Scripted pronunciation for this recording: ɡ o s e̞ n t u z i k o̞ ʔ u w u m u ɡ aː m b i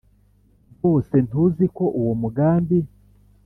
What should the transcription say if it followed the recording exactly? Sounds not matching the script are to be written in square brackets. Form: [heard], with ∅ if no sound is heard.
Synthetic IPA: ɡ o s e̞ n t u z i k o̞ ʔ u w [o] m u ɡ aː m b i